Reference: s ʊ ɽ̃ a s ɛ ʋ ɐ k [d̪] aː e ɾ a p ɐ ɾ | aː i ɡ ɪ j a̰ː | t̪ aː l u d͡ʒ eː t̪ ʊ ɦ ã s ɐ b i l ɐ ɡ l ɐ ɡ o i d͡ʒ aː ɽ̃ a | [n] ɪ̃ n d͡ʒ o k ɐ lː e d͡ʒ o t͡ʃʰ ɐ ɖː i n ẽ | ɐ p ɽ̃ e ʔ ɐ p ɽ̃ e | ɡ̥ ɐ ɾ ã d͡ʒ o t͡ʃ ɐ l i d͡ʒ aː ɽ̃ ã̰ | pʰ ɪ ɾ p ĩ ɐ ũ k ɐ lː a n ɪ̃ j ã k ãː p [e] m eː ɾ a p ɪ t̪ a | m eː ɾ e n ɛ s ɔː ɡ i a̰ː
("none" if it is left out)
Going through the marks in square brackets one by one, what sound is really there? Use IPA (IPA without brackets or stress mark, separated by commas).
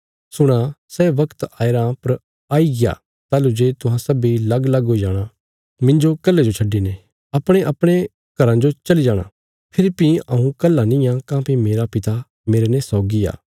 t̪, m, i